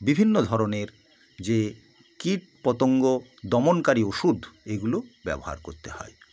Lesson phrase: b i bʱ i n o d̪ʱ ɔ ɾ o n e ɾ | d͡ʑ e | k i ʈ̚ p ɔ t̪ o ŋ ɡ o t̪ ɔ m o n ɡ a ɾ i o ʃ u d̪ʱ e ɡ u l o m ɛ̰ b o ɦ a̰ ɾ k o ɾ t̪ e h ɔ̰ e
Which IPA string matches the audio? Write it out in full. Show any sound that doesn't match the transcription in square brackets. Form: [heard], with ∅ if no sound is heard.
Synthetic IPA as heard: b i bʱ i [nː] o d̪ʱ ɔ ɾ o n e ɾ | d͡ʑ e | k i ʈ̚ p ɔ t̪ o ŋ ɡ o [d̪] ɔ m o n [k] a ɾ i o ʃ u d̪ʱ e ɡ u l o [b] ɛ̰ b o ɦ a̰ ɾ k o ɾ t̪ e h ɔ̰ e